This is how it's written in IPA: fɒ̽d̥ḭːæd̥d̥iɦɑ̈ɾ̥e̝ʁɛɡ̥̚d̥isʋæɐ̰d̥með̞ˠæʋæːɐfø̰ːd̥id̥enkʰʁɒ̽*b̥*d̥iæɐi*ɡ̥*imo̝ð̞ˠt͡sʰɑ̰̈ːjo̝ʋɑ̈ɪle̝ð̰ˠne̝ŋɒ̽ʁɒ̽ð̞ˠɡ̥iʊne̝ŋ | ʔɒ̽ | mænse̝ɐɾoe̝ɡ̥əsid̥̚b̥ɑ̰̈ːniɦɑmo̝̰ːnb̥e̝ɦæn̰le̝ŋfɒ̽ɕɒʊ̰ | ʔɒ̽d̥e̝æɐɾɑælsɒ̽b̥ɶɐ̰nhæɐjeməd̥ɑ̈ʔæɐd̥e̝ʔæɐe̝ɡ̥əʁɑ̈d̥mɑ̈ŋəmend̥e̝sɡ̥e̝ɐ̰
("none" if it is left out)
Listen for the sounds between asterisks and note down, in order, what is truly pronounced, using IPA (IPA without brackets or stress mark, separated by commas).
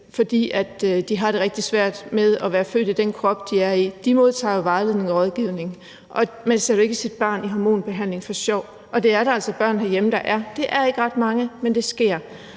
b̥, d̥